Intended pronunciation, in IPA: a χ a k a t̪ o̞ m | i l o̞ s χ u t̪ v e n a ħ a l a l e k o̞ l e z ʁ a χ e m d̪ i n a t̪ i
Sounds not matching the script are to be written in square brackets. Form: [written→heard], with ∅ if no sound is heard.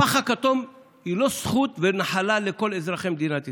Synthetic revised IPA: a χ a k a t̪ o̞ m | i l o̞ s χ u t̪ v e n a ħ a l a l e k o̞ l e z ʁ a χ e m d̪ i n a t̪ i